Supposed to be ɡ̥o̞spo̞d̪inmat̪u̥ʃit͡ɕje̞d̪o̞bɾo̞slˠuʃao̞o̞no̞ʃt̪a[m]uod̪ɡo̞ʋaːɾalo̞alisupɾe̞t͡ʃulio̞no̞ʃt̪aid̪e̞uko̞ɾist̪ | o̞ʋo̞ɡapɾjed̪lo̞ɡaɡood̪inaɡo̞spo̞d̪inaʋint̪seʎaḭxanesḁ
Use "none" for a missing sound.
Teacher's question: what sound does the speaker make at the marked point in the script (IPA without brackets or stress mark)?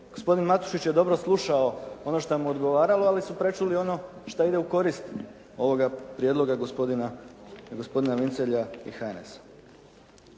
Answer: m